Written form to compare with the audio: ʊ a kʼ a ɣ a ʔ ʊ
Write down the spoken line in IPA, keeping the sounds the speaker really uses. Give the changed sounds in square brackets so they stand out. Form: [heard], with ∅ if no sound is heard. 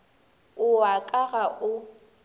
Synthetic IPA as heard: ʊ a kʼ a ɣ a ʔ ʊ